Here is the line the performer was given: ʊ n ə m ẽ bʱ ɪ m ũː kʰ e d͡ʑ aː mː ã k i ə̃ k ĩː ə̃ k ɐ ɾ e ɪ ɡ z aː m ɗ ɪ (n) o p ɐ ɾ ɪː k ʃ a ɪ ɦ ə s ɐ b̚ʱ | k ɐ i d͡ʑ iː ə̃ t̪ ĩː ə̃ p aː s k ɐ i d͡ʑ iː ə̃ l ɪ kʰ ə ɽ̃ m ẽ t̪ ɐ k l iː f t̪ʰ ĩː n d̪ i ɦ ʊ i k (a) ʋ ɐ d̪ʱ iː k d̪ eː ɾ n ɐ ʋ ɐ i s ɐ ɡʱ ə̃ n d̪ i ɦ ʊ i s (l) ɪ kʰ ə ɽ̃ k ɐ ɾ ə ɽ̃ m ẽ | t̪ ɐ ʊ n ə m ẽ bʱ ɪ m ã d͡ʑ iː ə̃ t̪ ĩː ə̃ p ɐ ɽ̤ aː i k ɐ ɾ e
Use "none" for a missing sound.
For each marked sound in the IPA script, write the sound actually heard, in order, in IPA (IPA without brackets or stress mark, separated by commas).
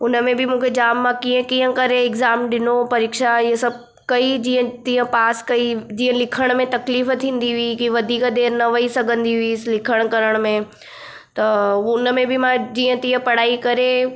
n, i, l